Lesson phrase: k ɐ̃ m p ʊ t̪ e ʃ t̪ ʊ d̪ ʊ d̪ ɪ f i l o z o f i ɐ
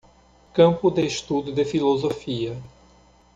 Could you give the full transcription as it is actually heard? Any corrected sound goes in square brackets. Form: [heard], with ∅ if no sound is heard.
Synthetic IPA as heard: k ɐ̃ m p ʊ [d̪] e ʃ t̪ [u] d̪ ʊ d̪ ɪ f i l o z o f i ɐ